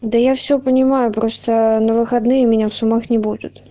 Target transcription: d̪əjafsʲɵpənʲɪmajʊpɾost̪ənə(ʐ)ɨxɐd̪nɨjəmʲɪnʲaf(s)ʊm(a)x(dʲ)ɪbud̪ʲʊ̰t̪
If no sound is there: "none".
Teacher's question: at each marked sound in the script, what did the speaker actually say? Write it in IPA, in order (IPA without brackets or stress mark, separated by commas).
v, s, a, nʲ